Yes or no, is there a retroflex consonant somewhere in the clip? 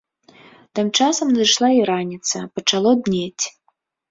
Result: yes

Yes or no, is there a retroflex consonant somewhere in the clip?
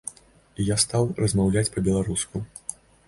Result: no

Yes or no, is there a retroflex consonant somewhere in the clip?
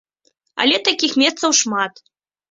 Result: yes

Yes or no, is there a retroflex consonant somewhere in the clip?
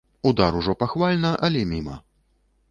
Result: yes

